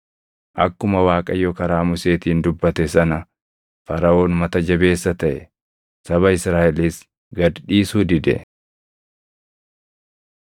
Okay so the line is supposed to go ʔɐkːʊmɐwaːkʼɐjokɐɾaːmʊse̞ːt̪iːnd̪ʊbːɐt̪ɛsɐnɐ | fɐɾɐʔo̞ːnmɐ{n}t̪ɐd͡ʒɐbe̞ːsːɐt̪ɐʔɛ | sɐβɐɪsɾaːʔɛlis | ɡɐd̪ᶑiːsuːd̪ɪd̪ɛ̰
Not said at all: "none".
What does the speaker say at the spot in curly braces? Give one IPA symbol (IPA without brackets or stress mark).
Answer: none